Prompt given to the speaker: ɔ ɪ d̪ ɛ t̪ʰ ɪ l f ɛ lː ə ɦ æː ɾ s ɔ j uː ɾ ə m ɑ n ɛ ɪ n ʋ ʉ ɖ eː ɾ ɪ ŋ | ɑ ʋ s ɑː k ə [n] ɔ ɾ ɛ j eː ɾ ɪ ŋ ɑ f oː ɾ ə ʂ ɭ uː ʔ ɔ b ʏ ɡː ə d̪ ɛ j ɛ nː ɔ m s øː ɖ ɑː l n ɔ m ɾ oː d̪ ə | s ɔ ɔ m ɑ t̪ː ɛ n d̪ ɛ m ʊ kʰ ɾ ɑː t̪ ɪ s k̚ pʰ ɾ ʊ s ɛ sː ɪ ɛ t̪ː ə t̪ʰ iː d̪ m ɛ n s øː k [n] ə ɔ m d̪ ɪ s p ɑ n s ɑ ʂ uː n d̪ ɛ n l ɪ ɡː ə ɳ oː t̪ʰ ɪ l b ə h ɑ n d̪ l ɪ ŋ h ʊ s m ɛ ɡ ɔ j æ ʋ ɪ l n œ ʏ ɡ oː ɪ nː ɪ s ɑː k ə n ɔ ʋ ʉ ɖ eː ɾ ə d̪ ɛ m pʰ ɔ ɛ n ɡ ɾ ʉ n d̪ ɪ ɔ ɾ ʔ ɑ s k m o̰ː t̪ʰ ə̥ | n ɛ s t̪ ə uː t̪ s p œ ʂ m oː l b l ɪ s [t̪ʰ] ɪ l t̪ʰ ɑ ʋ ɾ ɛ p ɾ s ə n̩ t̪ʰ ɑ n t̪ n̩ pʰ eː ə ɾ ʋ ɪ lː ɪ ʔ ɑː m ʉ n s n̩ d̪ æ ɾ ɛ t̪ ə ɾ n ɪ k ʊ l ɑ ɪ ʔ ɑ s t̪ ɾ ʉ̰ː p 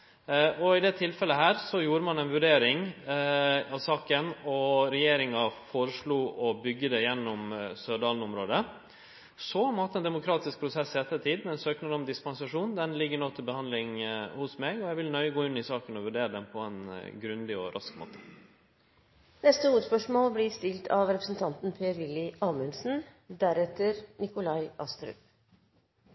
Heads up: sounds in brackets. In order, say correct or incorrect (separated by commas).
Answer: correct, correct, incorrect